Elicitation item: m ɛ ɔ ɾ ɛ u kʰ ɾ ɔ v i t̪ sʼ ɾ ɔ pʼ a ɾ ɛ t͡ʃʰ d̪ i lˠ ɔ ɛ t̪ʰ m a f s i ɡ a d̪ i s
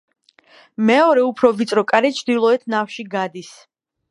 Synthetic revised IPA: m ɛ ɔ ɾ ɛ u pʰ ɾ ɔ v i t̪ sʼ ɾ ɔ kʼ a ɾ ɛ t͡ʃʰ d̪ i lˠ ɔ ɛ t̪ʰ n a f ʃ i ɡ a d̪ i s